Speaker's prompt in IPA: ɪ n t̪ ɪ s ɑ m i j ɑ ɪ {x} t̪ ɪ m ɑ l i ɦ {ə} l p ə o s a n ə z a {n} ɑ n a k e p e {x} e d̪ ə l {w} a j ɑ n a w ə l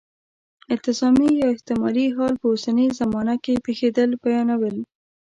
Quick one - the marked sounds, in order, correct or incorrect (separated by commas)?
incorrect, incorrect, incorrect, correct, incorrect